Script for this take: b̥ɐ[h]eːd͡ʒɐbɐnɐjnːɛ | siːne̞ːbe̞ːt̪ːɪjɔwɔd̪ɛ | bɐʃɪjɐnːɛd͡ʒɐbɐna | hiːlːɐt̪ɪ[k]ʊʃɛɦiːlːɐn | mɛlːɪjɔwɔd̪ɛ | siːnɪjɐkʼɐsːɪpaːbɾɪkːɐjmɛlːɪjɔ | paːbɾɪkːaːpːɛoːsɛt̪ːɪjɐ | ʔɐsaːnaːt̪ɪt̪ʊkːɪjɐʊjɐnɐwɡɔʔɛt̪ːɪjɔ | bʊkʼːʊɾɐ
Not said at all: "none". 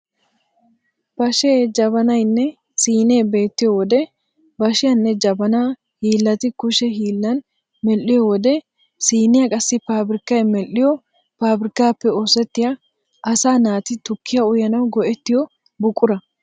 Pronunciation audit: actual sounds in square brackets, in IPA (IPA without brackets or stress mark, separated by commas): ʃ, k